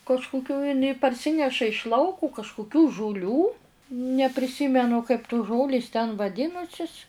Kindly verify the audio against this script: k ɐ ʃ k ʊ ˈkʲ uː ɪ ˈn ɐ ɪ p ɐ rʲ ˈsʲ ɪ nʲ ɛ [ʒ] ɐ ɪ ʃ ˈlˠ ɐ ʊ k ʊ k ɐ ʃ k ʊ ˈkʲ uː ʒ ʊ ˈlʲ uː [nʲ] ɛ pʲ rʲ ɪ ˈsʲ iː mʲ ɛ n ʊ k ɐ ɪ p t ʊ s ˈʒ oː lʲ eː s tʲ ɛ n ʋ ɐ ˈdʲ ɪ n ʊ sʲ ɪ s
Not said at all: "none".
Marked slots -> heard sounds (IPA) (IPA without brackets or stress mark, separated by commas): ʃ, nʲ